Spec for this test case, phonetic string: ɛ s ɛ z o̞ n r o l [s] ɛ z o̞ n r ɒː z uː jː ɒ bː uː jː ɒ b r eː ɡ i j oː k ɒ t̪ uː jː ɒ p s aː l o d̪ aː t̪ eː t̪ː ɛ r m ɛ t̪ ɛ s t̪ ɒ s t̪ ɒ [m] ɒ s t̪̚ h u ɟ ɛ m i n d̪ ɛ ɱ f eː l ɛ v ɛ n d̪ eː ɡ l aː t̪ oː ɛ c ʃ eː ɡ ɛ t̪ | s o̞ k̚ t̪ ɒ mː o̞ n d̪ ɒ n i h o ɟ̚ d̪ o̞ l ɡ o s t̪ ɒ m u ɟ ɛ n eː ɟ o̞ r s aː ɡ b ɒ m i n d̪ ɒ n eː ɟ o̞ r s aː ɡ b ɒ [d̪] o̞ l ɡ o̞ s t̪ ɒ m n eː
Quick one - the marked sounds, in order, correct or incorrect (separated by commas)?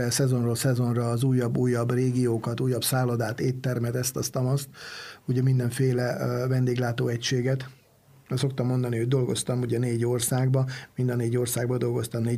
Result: correct, correct, correct